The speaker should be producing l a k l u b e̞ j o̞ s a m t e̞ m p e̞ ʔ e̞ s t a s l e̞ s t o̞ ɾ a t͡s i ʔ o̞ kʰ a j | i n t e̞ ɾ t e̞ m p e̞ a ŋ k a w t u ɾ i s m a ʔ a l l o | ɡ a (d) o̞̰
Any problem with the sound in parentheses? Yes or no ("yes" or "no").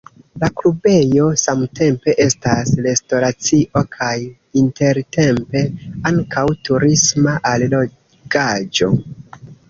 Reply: yes